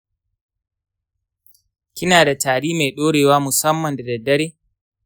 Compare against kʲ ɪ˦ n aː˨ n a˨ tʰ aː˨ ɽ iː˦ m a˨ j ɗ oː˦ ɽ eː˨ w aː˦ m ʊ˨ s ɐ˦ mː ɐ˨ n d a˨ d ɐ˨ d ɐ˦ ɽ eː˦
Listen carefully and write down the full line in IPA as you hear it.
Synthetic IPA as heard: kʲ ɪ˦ n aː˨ d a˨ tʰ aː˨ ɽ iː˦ m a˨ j ɗ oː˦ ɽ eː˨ w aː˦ m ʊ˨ s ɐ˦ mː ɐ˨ n d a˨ d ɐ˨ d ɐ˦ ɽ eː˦